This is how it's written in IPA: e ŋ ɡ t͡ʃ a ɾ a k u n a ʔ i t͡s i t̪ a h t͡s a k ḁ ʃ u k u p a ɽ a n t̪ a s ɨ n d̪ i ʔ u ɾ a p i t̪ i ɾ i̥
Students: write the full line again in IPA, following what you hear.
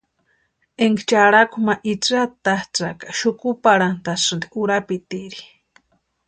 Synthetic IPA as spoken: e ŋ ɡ t͡ʃ a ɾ a k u m a ʔ i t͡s a t̪ a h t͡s a k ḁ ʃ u k u p a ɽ a n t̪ a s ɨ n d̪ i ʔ u ɾ a p i t̪ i ɾ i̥